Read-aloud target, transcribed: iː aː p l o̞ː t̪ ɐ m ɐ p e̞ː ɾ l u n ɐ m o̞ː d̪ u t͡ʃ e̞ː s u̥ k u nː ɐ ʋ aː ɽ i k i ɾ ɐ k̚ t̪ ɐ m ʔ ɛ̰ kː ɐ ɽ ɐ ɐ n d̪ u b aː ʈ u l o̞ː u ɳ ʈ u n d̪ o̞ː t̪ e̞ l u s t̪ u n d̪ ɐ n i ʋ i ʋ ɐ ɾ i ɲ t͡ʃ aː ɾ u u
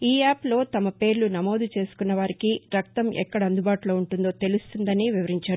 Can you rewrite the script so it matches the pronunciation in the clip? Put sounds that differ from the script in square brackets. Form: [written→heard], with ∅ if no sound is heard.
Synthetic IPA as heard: iː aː p l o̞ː t̪ ɐ m ɐ p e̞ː ɾ l u n ɐ m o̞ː d̪ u t͡ʃ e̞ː s u̥ k u nː ɐ ʋ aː [ɽ→ɾ] i k i ɾ ɐ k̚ t̪ ɐ m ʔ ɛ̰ kː ɐ ɽ ɐ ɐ n d̪ u b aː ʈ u l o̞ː u ɳ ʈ u n d̪ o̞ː t̪ e̞ l u s t̪ u n d̪ ɐ n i ʋ i ʋ ɐ ɾ i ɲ t͡ʃ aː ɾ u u